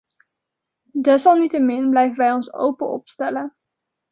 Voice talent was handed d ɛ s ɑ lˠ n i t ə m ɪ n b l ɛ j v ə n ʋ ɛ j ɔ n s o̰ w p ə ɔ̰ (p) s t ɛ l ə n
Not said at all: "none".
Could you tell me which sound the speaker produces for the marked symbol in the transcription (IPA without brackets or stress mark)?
p